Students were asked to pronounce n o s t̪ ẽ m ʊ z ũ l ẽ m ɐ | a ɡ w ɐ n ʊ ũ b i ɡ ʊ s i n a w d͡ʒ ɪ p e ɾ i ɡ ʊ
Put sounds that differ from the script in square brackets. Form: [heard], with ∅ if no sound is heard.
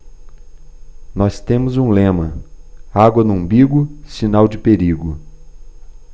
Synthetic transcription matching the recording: n [ɔ] s t̪ ẽ m ʊ z ũ l ẽ m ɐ | a ɡ w ɐ n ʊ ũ b i ɡ ʊ s i n a w d͡ʒ ɪ p e ɾ i ɡ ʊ

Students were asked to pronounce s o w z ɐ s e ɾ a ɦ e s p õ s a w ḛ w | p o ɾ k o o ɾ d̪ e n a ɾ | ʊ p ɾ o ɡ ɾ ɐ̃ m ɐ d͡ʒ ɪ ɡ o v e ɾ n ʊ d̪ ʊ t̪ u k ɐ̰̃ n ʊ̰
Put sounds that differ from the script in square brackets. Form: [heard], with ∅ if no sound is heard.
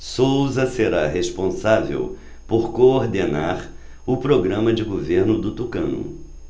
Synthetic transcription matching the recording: s o w z ɐ s e ɾ a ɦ e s p õ s a [v] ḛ w | p o ɾ k o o ɾ d̪ e n a ɾ | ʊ p ɾ o ɡ ɾ ɐ̃ m ɐ d͡ʒ ɪ ɡ o v e ɾ n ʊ d̪ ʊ t̪ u k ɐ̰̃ n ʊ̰

